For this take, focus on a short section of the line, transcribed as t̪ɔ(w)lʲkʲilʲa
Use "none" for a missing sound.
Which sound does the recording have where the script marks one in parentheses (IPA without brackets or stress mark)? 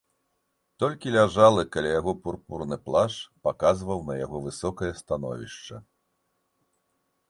none